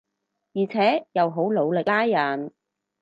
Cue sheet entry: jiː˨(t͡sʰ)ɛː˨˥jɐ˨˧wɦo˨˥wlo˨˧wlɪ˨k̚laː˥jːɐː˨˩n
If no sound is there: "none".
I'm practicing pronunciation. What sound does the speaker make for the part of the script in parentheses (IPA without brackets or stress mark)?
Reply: t͡sʰ